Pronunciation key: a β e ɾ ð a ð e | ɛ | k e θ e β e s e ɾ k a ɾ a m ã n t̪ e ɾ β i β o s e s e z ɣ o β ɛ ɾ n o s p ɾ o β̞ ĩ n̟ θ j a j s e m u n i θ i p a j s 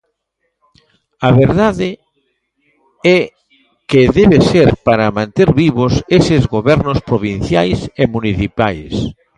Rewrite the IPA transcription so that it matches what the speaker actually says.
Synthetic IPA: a β e ɾ ð a ð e | ɛ | k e ð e β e s e ɾ p a ɾ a m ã n t̪ e ɾ β i β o s e s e z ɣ o β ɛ ɾ n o s p ɾ o β̞ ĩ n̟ θ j a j s e m u n i θ i p a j s

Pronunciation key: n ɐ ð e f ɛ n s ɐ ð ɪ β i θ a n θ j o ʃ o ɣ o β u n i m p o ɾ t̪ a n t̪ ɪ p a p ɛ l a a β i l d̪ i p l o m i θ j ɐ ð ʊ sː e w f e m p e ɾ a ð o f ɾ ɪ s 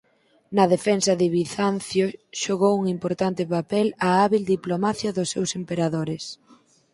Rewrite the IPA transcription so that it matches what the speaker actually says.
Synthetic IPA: n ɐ ð e f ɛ n s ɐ ð ɪ β i θ a n θ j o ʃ o ɣ o w u ŋ i m p o ɾ t̪ a n t̪ ɪ p a p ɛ l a a β i l d̪ i p l o m a θ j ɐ ð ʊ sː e w s e m p e ɾ a ð o ɾ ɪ s

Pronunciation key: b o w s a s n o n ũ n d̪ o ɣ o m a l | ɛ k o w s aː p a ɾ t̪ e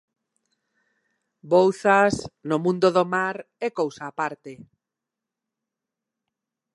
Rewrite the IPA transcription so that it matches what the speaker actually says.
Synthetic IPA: b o w θ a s n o m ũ n d̪ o ð o m a ɾ | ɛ k o w s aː p a ɾ t̪ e

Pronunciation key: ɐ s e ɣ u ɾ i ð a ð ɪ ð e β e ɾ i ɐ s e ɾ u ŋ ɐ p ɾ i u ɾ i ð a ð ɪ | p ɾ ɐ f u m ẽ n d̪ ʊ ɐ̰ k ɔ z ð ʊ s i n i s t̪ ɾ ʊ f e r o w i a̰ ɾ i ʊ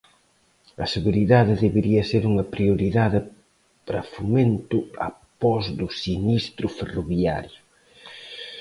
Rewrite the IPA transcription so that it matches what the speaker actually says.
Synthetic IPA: ɐ s e ɣ u ɾ i ð a ð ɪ ð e β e ɾ i ɐ s e ɾ u ŋ ɐ p ɾ i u ɾ i ð a ð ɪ | p ɾ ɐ f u m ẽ n t̪ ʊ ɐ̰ p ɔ z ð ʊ s i n i s t̪ ɾ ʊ f e r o β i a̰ ɾ j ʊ

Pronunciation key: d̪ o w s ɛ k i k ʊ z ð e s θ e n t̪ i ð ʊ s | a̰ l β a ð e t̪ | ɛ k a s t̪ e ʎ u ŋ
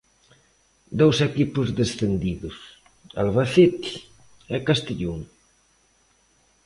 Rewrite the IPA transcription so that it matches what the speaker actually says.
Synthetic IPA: d̪ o w s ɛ k i p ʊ z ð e s θ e n d̪ i ð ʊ s | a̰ l β a θ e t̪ | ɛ k a s t̪ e ʎ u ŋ

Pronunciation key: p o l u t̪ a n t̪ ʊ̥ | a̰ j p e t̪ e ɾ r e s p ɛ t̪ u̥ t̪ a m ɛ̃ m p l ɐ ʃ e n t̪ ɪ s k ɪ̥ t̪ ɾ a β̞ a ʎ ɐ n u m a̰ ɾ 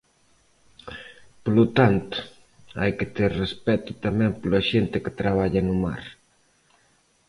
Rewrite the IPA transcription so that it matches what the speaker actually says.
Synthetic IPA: p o l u t̪ a n t̪ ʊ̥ | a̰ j k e t̪ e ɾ r e s p ɛ t̪ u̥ t̪ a m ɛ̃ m p l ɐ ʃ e n t̪ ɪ k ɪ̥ t̪ ɾ a β̞ a ʎ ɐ n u m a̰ ɾ

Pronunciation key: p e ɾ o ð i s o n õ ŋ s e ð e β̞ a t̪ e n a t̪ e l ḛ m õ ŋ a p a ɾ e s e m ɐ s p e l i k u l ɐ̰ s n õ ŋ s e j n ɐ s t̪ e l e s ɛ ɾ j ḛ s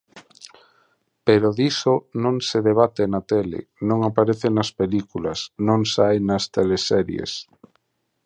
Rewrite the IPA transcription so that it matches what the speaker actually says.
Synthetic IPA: p e ɾ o ð i s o n õ ŋ s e ð e β̞ a t̪ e n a t̪ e l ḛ n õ ŋ a p a ɾ e θ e n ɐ s p e l i k u l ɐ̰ s n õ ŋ s a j n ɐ s t̪ e l e s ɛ ɾ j ḛ s

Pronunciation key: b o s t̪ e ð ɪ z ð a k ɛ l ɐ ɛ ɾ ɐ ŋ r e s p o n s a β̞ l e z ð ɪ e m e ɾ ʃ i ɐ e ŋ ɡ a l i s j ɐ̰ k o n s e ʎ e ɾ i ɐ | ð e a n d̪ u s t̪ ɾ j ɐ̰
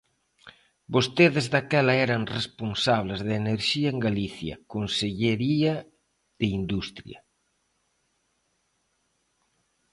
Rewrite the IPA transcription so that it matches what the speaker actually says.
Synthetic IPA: b o s t̪ e ð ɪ z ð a k ɛ l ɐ ɛ ɾ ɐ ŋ r e s p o n s a β̞ l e z ð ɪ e n e ɾ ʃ i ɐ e ŋ ɡ a l i θ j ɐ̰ k o n s e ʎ e ɾ i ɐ | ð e i n d̪ u s t̪ ɾ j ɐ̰

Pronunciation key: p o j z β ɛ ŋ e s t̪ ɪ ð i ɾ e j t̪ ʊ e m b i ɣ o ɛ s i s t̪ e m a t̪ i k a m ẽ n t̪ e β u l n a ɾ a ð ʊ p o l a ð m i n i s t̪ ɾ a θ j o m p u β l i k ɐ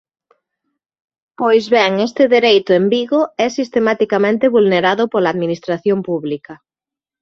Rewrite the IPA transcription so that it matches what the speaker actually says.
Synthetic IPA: p o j z β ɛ ŋ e s t̪ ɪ ð e ɾ e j t̪ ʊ e m b i ɣ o ɛ s i s t̪ e m a t̪ i k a m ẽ n t̪ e β u l n e ɾ a ð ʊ p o l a ð m i n i s t̪ ɾ a θ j o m p u β l i k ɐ

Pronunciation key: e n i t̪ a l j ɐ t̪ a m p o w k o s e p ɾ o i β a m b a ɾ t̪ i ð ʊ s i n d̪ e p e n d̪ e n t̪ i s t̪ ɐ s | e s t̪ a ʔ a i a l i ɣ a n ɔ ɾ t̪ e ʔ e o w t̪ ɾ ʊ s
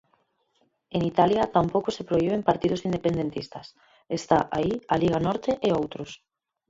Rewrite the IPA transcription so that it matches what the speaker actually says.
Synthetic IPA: e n i t̪ a l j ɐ t̪ a m p o w k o s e p ɾ o i β e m p a ɾ t̪ i ð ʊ s i n d̪ e p e n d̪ e n t̪ i s t̪ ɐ s | e s t̪ a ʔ a i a l i ɣ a n ɔ ɾ t̪ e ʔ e o w t̪ ɾ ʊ s

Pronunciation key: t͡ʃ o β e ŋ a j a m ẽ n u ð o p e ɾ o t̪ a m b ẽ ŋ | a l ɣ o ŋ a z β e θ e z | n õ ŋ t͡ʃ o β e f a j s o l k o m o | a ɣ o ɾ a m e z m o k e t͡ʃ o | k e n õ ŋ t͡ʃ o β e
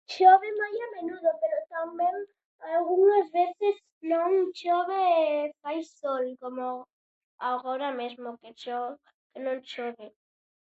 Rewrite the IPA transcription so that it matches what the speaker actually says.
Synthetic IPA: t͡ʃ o β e m a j a m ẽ n u ð o p e ɾ o t̪ a m b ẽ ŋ | a l ɣ u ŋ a z β e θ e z | n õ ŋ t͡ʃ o β e f a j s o l k o m o | a ɣ o ɾ a m e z m o k e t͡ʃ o | k e n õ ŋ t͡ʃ o β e

